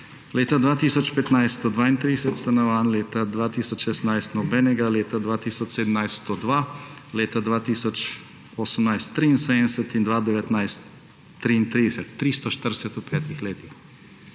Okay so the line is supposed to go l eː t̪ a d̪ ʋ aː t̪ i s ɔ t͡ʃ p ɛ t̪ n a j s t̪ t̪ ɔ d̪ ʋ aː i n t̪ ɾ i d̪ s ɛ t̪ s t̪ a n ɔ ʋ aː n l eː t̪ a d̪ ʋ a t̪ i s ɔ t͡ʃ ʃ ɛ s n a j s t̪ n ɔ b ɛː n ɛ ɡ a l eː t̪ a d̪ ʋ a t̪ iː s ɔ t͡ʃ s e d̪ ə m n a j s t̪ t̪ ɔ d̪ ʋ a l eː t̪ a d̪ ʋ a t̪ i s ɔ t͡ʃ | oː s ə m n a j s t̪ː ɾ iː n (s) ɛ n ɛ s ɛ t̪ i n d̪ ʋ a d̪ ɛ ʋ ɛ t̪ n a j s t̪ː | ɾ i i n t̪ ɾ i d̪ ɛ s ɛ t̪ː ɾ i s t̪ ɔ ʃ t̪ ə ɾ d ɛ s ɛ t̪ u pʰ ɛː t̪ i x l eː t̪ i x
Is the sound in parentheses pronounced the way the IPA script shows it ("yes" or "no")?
yes